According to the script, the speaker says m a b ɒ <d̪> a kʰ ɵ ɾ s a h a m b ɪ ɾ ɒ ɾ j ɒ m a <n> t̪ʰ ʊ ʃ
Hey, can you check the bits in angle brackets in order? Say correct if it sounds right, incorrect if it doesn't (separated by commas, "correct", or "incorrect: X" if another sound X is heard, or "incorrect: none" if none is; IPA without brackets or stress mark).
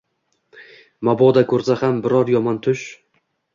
correct, correct